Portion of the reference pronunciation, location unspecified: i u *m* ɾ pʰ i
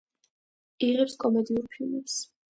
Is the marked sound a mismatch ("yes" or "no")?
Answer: yes